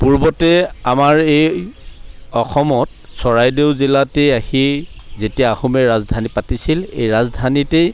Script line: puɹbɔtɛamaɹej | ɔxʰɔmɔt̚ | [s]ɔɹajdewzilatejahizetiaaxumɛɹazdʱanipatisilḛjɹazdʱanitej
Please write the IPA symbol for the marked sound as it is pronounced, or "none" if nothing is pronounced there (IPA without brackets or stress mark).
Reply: s